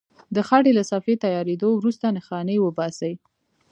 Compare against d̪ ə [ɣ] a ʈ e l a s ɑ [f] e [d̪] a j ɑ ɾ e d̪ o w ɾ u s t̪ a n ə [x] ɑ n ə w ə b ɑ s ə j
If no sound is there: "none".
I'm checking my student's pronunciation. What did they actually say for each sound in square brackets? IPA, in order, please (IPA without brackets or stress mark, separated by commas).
x, f, t̪, x